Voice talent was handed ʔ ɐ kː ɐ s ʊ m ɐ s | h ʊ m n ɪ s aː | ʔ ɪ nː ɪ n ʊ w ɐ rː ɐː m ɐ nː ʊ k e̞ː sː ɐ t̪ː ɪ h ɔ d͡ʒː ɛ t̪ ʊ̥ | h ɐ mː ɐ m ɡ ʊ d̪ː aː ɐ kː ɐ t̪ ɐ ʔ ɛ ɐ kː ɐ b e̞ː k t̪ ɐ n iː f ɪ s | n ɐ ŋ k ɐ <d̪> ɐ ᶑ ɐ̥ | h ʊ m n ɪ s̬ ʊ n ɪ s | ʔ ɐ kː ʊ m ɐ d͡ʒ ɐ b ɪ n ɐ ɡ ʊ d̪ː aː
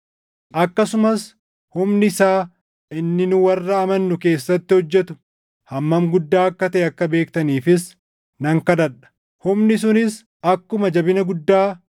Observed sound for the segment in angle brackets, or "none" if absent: d̪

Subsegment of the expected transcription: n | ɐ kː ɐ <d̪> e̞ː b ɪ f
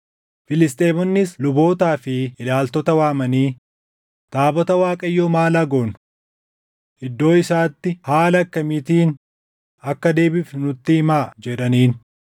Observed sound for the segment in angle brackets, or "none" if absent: d̪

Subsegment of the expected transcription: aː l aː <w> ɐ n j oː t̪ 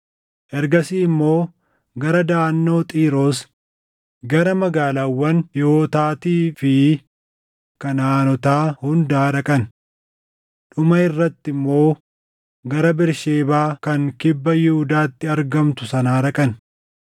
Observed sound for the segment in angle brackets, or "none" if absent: wː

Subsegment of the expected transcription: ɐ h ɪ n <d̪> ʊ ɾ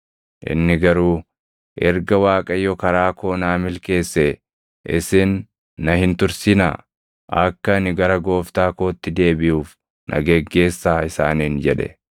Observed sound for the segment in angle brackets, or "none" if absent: t̪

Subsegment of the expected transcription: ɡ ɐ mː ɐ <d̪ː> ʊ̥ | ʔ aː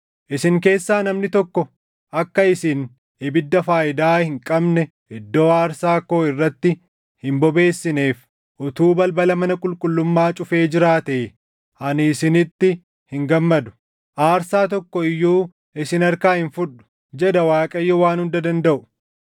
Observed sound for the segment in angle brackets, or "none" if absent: d̪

